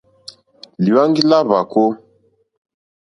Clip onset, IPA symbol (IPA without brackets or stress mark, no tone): l